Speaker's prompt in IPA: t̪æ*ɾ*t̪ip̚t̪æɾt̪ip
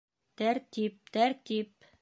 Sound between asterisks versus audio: correct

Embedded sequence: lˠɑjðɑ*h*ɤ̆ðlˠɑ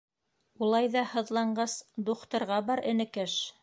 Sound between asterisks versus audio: correct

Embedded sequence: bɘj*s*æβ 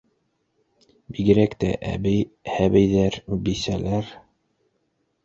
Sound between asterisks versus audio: incorrect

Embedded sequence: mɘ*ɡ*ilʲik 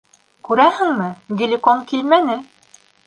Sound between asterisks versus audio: correct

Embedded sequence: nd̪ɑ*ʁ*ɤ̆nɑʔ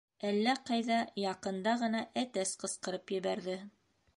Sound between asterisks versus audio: correct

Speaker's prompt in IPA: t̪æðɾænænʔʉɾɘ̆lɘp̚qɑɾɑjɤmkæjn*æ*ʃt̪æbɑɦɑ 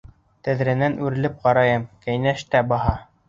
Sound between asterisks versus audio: correct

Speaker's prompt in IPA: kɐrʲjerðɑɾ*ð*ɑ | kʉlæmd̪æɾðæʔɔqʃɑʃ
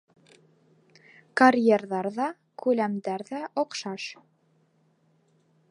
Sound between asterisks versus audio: correct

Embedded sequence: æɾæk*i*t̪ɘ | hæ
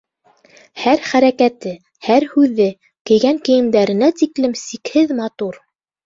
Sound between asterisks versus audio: incorrect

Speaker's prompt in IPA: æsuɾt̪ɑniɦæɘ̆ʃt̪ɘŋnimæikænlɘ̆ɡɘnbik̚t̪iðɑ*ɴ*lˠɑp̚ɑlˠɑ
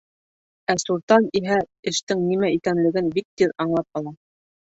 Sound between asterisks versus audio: correct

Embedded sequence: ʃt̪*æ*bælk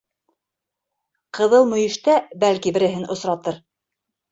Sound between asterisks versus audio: correct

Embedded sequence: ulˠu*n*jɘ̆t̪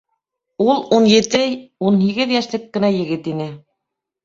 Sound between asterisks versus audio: correct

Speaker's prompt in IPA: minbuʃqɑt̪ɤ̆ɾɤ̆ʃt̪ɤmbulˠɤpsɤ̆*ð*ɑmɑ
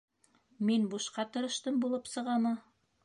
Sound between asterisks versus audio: incorrect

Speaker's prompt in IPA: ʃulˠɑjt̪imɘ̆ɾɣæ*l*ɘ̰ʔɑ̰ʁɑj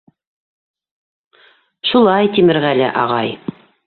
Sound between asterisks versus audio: correct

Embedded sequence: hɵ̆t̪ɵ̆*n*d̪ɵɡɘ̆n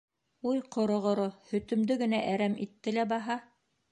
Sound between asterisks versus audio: incorrect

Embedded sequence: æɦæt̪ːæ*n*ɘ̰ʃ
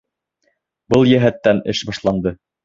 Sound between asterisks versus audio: correct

